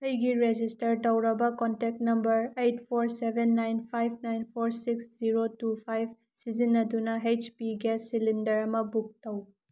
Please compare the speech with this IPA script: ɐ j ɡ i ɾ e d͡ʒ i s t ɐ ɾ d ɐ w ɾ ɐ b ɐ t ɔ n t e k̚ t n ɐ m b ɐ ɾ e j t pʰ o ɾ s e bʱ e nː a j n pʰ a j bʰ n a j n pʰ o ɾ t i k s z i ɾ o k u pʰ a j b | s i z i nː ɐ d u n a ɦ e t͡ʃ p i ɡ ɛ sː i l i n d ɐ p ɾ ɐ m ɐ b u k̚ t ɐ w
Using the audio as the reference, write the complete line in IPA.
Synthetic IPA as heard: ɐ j ɡ i ɾ e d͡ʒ i s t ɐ ɾ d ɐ w ɾ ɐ b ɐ k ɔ n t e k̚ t n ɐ m b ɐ ɾ e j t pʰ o ɾ s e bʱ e nː a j n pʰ a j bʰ n a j n pʰ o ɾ s i k s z i ɾ o t u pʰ a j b | s i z i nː ɐ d u n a ɦ e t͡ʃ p i ɡ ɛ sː i l i n d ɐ ɾ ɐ m ɐ b u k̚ t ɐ w